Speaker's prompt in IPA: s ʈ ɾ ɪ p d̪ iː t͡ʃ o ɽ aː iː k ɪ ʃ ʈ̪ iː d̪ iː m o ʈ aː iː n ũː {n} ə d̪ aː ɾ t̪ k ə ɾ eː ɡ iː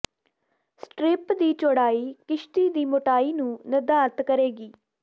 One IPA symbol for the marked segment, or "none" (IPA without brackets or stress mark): n